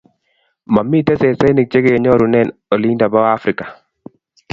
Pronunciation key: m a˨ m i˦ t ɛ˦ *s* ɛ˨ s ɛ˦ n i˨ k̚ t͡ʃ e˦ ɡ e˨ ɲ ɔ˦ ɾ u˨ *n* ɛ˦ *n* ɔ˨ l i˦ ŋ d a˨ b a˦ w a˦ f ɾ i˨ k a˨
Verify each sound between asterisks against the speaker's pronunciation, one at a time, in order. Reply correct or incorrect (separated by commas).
correct, correct, correct